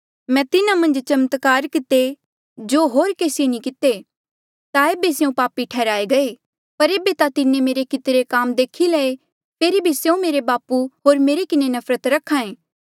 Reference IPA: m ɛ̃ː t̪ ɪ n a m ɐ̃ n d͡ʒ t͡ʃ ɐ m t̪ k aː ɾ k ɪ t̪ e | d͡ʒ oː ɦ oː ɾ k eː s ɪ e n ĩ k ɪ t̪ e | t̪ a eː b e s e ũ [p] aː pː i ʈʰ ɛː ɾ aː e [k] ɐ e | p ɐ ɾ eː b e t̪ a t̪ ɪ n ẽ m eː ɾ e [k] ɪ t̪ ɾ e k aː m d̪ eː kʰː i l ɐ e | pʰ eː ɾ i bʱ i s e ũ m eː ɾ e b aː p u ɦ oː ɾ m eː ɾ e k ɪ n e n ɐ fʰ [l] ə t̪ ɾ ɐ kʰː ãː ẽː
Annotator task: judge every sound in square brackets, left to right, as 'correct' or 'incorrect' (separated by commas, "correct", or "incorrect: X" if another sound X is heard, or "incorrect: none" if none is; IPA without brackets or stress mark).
correct, incorrect: ɡ, correct, incorrect: ɾ